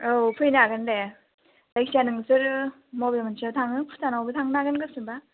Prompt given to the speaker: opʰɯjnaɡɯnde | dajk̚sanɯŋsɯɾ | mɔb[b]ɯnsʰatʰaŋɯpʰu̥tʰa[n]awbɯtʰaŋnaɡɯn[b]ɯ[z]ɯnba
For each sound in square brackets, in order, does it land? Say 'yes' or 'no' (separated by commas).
no, yes, no, no